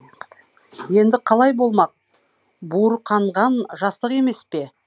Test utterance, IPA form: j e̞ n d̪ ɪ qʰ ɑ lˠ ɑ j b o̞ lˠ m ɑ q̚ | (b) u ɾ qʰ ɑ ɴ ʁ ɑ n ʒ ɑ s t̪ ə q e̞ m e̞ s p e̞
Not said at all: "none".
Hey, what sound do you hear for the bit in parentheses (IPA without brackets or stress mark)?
b